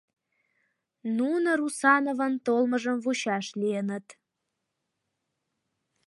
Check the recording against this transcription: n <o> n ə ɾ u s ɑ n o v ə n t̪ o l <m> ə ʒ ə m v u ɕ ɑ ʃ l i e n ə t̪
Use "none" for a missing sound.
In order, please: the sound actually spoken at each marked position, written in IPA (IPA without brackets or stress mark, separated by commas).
u, m